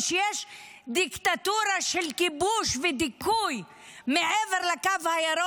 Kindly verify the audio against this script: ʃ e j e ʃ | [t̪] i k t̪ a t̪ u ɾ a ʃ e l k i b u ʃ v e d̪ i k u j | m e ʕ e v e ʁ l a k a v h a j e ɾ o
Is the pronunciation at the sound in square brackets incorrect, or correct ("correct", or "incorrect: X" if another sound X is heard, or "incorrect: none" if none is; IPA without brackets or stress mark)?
incorrect: d̪